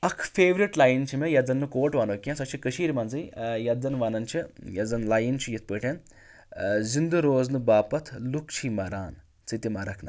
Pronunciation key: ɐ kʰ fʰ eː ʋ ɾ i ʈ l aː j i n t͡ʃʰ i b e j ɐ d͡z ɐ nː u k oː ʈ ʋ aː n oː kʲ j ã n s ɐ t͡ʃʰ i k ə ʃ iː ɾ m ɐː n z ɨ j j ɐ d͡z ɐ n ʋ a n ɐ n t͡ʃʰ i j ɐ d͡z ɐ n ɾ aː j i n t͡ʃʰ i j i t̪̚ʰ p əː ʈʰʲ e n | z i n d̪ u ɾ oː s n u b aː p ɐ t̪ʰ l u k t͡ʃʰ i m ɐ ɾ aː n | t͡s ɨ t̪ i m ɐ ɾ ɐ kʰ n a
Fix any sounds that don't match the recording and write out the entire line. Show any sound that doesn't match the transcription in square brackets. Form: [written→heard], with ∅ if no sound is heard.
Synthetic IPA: ɐ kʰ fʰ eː ʋ ɾ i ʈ l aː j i n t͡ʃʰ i [b→m] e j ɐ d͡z ɐ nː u k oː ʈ ʋ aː n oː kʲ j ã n s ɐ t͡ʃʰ i k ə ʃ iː ɾ m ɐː n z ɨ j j ɐ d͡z ɐ n ʋ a n ɐ n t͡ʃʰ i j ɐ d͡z ɐ n [ɾ→l] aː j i n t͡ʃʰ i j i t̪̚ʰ p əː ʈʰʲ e n | z i n d̪ u ɾ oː [s→z] n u b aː p ɐ t̪ʰ l u k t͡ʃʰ i m ɐ ɾ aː n | t͡s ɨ t̪ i m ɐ ɾ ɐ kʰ n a